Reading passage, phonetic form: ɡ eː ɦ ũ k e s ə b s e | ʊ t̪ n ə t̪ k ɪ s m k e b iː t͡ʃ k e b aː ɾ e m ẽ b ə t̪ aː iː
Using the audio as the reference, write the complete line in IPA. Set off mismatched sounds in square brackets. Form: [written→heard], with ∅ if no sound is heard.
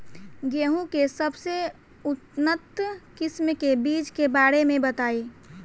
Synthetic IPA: ɡ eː ɦ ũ k e s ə b s e | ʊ t̪ n ə t̪ k ɪ s m k e b iː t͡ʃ k e b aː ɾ e m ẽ b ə t̪ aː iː

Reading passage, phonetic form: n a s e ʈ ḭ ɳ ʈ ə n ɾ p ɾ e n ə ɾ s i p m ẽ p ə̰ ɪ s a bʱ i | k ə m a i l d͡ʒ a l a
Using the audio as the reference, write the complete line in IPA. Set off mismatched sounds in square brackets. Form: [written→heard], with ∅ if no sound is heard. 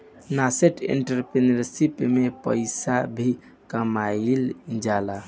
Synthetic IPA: n a s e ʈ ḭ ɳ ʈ ə [n→∅] ɾ p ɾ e n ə ɾ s i p m [ẽ→e] p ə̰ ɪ s a bʱ i | k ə m a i l d͡ʒ a l a

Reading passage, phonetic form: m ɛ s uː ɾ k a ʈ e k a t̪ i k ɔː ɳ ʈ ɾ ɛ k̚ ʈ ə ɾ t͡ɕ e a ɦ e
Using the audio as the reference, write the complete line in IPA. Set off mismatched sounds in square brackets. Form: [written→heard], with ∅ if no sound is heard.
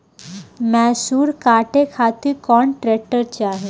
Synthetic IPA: m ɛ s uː ɾ k a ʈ e [k→kʰ] a t̪ i k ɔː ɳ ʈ ɾ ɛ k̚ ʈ ə ɾ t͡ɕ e a ɦ e

